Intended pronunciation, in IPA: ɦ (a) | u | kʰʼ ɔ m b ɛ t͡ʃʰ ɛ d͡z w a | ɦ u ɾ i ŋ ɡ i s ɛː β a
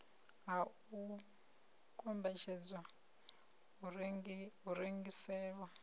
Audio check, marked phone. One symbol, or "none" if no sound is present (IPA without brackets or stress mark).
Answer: a